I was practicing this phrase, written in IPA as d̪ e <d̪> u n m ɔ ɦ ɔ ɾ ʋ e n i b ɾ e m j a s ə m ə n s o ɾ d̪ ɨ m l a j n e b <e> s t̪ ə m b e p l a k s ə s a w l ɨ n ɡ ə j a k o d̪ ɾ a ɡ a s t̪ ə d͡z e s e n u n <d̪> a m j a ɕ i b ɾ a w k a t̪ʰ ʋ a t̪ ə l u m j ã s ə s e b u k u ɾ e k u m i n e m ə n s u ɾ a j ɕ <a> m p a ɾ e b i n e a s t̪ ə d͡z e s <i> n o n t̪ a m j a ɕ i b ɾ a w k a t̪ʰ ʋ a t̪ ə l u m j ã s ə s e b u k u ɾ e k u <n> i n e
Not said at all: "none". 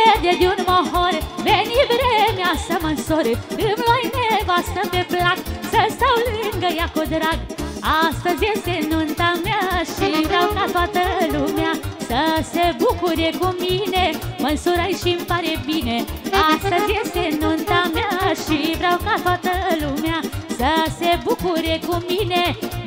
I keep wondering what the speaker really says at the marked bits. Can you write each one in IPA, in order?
d̪, a, t̪, i, e, m

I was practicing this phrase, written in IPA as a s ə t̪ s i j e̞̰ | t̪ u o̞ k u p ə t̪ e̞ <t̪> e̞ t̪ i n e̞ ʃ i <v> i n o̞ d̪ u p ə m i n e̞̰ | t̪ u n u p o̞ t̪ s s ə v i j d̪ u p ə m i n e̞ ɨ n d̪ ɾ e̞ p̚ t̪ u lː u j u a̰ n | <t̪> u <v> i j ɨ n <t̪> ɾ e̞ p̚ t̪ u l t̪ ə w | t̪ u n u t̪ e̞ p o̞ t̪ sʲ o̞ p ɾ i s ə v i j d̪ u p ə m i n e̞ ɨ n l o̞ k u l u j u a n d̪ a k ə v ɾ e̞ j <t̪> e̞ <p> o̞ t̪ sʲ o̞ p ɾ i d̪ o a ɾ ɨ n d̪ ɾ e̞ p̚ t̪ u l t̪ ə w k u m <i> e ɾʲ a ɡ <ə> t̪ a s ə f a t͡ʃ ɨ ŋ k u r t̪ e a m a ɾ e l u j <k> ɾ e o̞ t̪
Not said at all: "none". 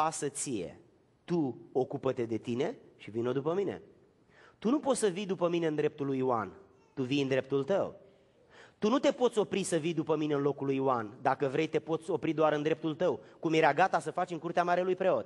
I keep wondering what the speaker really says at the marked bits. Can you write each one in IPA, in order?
d̪, v, t̪, v, d̪, t̪, p, j, a, p

